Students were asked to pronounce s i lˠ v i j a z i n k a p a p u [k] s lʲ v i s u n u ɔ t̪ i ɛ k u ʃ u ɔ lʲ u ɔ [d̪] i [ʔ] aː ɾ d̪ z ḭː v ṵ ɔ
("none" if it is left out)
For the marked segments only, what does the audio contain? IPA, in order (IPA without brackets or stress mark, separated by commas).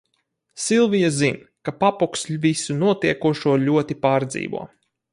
k, t̪, p